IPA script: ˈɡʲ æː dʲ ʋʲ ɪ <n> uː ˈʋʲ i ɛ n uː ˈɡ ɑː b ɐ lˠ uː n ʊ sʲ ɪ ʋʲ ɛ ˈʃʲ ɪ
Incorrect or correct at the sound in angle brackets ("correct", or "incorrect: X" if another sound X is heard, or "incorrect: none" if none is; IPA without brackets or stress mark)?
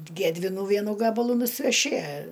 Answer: correct